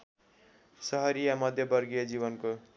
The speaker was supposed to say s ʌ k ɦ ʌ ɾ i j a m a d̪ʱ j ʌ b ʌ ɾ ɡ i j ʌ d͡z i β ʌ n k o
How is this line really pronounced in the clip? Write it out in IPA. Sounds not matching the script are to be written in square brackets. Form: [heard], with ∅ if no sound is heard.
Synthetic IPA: s ʌ [∅] ɦ ʌ ɾ i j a m [ʌ] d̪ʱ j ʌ b ʌ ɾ ɡ i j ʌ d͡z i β ʌ n k o